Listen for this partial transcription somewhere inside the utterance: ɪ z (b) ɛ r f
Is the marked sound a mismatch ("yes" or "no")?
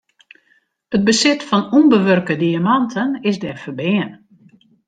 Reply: yes